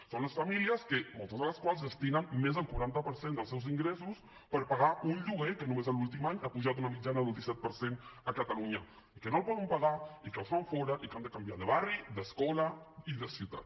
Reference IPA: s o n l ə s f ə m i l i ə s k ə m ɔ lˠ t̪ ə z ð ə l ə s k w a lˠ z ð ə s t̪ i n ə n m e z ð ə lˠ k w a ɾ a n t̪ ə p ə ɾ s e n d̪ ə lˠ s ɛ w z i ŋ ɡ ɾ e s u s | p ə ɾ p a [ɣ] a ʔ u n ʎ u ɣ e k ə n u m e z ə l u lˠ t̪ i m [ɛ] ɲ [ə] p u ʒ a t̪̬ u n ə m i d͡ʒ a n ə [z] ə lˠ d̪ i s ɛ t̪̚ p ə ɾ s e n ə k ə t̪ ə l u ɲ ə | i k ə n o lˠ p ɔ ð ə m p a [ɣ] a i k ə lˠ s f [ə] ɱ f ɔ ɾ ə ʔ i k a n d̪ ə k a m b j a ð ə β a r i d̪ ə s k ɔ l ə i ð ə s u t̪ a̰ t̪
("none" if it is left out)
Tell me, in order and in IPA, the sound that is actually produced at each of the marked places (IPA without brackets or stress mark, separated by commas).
ɣ, a, a, ð, ɣ, a